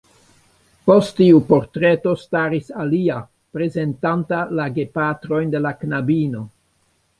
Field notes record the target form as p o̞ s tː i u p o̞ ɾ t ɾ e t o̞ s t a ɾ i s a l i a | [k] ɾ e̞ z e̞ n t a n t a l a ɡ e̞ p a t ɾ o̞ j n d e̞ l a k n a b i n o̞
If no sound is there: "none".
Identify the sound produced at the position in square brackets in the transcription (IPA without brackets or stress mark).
p